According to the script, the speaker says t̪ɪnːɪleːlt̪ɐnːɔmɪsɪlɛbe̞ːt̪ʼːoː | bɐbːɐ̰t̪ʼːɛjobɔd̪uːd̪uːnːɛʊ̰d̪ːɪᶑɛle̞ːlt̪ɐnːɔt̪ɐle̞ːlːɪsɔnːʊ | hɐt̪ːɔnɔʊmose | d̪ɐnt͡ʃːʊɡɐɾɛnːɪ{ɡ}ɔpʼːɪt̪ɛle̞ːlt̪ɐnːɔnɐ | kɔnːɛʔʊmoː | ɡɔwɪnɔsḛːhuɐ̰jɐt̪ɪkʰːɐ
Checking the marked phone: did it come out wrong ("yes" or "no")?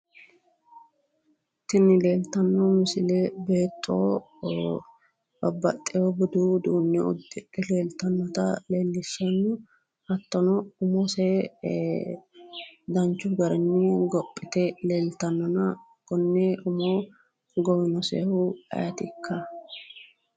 no